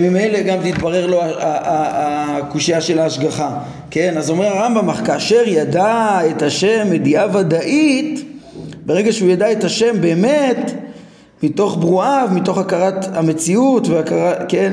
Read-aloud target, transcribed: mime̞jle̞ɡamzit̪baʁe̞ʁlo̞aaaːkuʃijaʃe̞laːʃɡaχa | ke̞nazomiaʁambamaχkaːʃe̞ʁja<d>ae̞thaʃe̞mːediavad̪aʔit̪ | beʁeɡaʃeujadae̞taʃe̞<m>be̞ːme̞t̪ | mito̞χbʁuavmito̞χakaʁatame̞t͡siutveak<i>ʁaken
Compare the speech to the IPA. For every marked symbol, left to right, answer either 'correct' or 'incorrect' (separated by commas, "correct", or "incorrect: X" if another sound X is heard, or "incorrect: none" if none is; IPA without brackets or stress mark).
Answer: correct, correct, incorrect: a